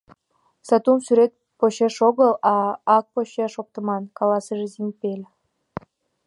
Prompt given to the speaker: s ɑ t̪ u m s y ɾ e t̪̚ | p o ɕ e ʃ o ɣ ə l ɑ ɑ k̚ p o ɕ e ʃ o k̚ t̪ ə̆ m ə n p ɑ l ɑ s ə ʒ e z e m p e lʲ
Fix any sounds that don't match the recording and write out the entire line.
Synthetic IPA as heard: s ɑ t̪ u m s y ɾ e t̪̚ | p o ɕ e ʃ o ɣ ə l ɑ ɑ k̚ p o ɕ e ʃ o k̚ t̪ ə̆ m ɑ n k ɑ l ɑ s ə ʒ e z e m p e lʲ